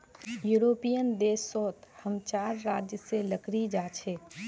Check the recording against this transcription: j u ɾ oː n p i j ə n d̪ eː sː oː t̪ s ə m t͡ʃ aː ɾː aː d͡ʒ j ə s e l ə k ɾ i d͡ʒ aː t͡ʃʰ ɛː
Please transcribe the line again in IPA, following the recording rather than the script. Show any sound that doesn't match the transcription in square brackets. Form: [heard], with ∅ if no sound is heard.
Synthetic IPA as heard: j u ɾ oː [∅] p i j ə n d̪ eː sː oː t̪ [h] ə m t͡ʃ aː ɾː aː d͡ʒ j ə s e l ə k ɾ i d͡ʒ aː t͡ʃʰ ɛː